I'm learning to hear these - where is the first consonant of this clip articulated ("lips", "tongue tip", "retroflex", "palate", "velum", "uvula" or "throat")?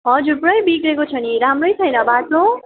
throat